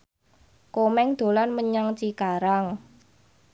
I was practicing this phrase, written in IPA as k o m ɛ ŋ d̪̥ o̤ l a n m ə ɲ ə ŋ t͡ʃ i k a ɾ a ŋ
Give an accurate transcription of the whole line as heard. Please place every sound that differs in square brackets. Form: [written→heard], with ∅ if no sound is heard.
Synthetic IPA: k o m ɛ ŋ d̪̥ o̤ l a n m ə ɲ [ə→a] ŋ t͡ʃ i k a ɾ a ŋ

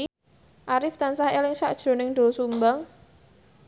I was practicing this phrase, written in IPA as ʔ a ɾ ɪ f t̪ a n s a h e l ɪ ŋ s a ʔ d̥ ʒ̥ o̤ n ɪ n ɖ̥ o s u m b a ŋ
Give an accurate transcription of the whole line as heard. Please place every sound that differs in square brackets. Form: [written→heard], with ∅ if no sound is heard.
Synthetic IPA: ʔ a ɾ ɪ f t̪ a n s a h e l ɪ ŋ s a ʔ d̥ ʒ̥ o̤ n ɪ [n→ŋ] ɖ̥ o s u m b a ŋ

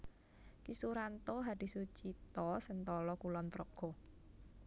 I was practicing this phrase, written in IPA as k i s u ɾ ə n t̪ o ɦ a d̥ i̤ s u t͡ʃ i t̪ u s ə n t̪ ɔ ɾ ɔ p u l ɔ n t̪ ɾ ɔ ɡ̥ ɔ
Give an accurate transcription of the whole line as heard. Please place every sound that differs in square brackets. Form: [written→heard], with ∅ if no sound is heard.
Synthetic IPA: k i s u ɾ [ə→a] n t̪ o ɦ a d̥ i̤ s u t͡ʃ i t̪ [u→ɔ] s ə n t̪ ɔ [ɾ→l] ɔ [p→k] u l ɔ n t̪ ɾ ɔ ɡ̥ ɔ

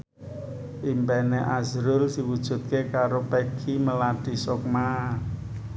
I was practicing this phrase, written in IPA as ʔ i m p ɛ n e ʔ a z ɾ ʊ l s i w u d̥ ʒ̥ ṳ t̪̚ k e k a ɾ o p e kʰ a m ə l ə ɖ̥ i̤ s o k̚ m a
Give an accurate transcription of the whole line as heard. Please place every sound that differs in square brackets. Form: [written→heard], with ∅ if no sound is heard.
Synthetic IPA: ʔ i m p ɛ n e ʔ a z ɾ ʊ l s i w u d̥ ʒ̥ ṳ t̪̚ k e k a ɾ o p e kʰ [a→i] m ə l [ə→a] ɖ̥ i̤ s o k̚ m a

